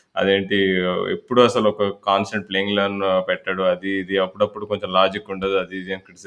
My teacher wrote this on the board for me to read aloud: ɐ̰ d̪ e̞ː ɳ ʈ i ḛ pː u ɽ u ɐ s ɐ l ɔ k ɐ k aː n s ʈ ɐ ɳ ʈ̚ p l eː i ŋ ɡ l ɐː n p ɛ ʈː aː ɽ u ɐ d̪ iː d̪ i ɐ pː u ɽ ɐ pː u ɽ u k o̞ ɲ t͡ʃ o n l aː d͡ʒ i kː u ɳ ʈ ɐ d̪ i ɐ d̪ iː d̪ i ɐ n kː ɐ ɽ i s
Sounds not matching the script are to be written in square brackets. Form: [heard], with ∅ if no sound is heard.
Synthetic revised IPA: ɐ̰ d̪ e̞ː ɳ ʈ i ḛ pː u ɽ u ɐ s ɐ l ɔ k ɐ k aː n s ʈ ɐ ɳ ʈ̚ p l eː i ŋ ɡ l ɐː n p ɛ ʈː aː ɽ u ɐ d̪ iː d̪ i ɐ pː u ɽ ɐ pː u ɽ u k o̞ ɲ t͡ʃ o [m] l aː d͡ʒ i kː u ɳ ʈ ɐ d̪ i ɐ d̪ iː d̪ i ɐ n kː ɐ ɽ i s